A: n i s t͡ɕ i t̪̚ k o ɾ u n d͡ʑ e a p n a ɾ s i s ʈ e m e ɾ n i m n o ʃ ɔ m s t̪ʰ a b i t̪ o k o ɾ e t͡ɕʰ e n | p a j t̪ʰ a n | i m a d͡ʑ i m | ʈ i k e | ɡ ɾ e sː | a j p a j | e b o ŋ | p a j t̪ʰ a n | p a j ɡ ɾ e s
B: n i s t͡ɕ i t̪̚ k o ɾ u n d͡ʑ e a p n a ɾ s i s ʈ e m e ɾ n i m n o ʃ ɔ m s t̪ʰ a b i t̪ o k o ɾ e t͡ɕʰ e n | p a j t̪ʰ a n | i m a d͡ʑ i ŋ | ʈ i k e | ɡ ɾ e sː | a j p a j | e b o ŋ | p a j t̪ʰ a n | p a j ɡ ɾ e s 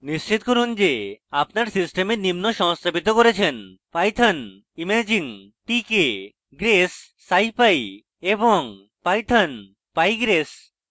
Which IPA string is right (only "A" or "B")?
B